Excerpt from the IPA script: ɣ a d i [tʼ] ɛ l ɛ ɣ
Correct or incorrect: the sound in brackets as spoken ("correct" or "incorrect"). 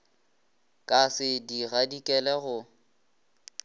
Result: incorrect